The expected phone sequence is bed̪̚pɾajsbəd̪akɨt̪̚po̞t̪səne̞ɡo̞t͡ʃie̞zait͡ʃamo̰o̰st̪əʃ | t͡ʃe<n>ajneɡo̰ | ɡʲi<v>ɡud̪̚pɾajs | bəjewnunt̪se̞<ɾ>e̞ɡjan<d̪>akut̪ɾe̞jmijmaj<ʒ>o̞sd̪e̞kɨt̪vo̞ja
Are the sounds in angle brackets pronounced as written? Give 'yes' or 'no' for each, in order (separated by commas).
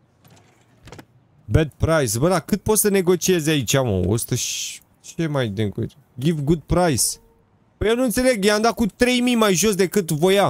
no, yes, no, yes, yes